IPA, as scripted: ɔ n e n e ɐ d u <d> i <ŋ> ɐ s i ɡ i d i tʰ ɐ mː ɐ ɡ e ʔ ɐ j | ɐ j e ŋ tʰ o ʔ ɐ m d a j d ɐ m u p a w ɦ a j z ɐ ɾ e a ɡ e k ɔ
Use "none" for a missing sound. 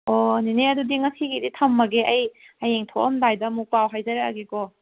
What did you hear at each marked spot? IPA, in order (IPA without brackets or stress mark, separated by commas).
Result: d, ŋ